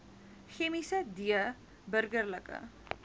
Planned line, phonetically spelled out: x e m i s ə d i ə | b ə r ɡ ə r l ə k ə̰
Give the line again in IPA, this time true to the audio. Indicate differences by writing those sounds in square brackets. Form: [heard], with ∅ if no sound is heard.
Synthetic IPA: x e m i s ə d i ə | b ə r ɡ ə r l ə k ə̰

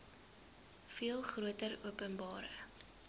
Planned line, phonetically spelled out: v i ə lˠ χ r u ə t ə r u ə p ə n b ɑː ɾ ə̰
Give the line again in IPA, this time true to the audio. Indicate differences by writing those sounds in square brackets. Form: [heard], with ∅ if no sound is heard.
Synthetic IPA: [f] i ə lˠ χ r u ə t ə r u ə p ə n b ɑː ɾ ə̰

